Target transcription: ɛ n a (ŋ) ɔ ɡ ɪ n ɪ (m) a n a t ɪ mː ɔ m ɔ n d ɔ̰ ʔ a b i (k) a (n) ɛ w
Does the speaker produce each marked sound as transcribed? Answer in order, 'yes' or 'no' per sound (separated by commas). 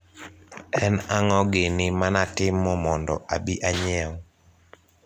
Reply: yes, yes, no, no